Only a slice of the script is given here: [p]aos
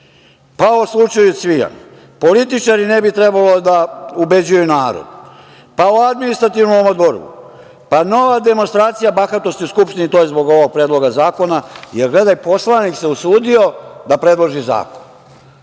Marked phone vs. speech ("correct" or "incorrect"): correct